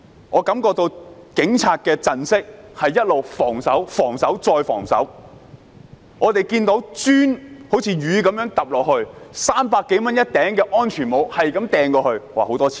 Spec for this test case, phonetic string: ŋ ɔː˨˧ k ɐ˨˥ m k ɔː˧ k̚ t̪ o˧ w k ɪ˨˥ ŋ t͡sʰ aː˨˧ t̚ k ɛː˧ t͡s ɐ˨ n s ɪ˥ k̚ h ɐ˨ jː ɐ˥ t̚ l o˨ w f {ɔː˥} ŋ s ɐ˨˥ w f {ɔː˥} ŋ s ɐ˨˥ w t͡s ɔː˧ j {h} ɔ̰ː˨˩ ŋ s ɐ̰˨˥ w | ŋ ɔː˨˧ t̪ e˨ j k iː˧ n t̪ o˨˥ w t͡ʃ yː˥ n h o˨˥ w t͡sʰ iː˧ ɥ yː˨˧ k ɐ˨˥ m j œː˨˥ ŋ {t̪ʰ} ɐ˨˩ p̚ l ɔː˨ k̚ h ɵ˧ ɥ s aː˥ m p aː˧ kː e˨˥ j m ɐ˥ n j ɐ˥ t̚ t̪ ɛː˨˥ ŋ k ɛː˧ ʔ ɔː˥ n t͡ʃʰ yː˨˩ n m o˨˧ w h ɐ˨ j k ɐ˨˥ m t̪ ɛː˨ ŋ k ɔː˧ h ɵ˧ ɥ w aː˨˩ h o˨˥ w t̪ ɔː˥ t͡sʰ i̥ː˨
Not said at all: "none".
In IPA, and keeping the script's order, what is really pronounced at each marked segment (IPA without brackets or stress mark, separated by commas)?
ɔː˨˩, ɔː˨˩, f, t̪